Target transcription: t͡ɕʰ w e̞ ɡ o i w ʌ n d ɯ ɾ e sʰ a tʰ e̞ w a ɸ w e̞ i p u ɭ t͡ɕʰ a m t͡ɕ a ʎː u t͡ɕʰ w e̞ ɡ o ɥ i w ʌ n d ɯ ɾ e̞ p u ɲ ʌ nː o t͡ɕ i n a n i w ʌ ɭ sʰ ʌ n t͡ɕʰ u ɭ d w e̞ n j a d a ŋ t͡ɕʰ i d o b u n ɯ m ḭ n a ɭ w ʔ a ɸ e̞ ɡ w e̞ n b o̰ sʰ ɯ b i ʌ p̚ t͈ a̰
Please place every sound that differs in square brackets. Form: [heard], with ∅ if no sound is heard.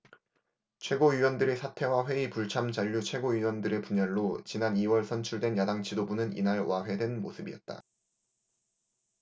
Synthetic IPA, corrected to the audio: t͡ɕʰ w e̞ ɡ o i w ʌ n d ɯ ɾ e sʰ a tʰ e̞ w a ɸ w e̞ i p u ɭ t͡ɕʰ a m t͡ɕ a ʎː u t͡ɕʰ w e̞ ɡ o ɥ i w ʌ n d ɯ ɾ e̞ p u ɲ ʌ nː o t͡ɕ i n a n i w ʌ ɭ sʰ ʌ n t͡ɕʰ u ɭ d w e̞ n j a d a ŋ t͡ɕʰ i d o b u n ɯ [n] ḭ n a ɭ w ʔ a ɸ e̞ [d] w e̞ n [m] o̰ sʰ ɯ b i ʌ [t̚] t͈ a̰

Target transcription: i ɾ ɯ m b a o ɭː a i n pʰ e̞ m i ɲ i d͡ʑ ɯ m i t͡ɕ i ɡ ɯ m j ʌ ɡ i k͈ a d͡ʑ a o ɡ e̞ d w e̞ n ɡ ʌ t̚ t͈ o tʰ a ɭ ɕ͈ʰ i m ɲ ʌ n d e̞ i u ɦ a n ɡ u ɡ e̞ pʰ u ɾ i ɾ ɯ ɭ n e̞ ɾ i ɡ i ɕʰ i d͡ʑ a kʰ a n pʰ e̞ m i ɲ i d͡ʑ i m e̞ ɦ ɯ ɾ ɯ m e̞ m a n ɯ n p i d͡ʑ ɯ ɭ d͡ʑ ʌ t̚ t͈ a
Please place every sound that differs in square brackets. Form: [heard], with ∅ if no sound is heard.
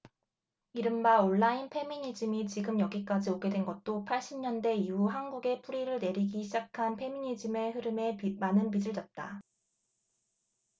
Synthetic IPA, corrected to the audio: i ɾ ɯ m b a o ɭː a i n pʰ e̞ m i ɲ i d͡ʑ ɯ m i t͡ɕ i ɡ ɯ m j ʌ ɡ i k͈ a d͡ʑ [i] o ɡ e̞ d w e̞ n ɡ ʌ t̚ t͈ o [pʰ] a ɭ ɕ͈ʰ i m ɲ ʌ n d e̞ i u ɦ a n ɡ u ɡ e̞ pʰ u ɾ i ɾ ɯ ɭ n e̞ ɾ i ɡ i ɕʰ i d͡ʑ a kʰ a n pʰ e̞ m i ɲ i d͡ʑ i m e̞ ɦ ɯ ɾ ɯ m e̞ m a n ɯ n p i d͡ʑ ɯ ɭ d͡ʑ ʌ t̚ t͈ a

